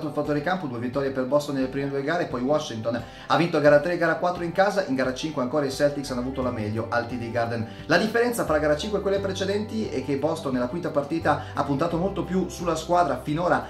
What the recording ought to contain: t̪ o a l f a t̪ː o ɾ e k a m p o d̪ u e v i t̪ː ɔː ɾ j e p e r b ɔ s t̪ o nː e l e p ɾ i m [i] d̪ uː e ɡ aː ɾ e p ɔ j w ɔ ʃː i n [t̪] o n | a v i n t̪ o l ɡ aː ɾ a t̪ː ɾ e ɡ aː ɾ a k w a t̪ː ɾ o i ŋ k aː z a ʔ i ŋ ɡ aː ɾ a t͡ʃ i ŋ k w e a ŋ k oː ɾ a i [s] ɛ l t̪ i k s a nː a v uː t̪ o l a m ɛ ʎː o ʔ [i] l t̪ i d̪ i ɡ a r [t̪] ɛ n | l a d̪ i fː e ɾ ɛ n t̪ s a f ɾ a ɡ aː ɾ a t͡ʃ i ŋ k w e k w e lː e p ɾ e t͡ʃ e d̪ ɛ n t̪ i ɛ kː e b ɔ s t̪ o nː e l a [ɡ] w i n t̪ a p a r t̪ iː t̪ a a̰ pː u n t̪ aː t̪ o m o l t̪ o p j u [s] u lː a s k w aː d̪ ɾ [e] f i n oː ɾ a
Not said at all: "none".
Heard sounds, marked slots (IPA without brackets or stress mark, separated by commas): e, t̪, s, a, d̪, k, s, a